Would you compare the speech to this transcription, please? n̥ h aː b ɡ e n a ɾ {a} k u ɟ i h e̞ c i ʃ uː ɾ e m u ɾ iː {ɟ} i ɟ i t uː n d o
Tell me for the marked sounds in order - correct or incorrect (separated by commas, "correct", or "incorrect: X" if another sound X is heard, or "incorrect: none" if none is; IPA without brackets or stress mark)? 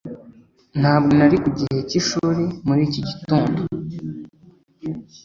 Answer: incorrect: i, incorrect: c